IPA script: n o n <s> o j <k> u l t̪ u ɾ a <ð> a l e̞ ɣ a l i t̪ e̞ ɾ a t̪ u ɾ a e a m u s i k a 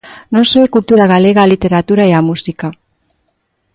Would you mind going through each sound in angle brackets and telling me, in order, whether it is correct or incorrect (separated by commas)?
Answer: correct, correct, incorrect